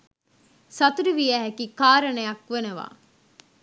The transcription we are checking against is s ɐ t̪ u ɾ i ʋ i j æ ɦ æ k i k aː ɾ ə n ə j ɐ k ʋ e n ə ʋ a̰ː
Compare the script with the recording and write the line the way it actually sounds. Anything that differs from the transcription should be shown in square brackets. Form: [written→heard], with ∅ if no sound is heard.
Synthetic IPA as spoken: s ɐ t̪ u ɾ i ʋ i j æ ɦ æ k i k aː ɾ ə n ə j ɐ k ʋ e n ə ʋ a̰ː